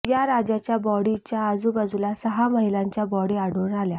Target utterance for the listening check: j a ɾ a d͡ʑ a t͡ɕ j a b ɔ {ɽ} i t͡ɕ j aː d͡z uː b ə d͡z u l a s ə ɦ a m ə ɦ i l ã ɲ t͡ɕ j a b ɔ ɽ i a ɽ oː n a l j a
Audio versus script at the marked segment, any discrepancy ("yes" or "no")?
no